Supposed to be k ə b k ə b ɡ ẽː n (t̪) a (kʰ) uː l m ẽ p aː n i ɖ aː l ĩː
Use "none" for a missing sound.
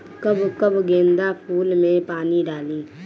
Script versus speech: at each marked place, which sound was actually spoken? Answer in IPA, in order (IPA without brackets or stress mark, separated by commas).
d̪, pʰ